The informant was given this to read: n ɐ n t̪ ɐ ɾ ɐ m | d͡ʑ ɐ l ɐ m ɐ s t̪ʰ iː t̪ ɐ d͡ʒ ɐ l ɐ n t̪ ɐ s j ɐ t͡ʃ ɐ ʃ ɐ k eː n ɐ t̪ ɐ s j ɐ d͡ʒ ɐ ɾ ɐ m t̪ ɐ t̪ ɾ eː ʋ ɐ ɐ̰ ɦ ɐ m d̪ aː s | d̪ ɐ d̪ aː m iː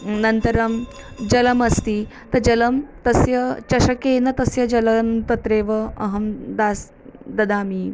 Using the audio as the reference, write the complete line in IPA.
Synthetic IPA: n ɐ n t̪ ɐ ɾ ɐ m | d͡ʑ ɐ l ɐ m ɐ s t̪ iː t̪ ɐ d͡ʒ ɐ l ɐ m t̪ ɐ s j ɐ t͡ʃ ɐ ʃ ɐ k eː n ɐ t̪ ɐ s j ɐ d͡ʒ ɐ l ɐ m t̪ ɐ t̪ ɾ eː ʋ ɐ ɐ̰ ɦ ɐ m d̪ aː s | d̪ ɐ d̪ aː m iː